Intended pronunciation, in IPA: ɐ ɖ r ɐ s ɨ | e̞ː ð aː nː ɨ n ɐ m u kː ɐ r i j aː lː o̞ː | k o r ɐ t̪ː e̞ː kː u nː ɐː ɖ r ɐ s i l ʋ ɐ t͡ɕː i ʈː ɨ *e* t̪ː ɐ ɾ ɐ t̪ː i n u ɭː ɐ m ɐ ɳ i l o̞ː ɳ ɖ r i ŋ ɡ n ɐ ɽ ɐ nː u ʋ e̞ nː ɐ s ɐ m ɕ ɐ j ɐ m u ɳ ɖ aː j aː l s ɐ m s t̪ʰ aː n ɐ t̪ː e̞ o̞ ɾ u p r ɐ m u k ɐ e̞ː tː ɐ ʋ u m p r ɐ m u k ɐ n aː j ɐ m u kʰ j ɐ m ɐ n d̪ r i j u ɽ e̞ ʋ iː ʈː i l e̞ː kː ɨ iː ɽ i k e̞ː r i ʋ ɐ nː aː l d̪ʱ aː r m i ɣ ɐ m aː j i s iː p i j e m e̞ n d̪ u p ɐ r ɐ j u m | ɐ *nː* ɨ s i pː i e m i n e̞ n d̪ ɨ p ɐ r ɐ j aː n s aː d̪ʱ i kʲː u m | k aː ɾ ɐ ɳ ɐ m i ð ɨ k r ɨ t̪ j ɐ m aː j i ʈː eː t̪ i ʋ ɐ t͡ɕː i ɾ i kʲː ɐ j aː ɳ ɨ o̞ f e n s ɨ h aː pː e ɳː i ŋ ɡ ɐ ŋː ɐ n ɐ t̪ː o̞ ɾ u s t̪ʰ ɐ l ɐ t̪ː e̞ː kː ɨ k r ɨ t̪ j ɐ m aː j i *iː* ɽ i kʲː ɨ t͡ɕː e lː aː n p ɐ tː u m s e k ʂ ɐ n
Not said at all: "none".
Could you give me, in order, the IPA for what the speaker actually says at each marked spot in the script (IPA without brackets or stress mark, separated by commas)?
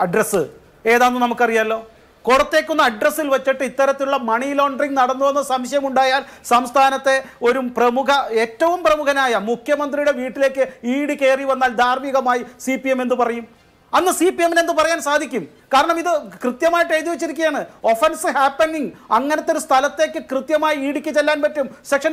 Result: i, nː, iː